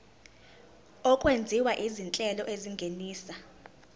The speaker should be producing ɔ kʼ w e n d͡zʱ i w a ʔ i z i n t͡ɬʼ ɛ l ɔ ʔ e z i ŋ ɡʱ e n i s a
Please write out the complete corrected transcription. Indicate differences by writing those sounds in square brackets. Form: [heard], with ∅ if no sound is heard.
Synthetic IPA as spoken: ɔ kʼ w e n d͡zʱ i w a ʔ i z i n t͡ɬʼ ɛ l ɔ ʔ e z i ŋ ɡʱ e n [iː] s a